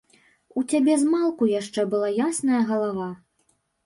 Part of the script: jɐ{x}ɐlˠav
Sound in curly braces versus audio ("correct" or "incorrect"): incorrect